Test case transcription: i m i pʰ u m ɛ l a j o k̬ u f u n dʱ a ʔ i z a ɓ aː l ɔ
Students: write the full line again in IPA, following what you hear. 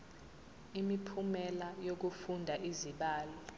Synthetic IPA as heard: i m i pʰ u m ɛ l a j o k̬ u f u n dʱ a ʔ i z i ɓ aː l ɔ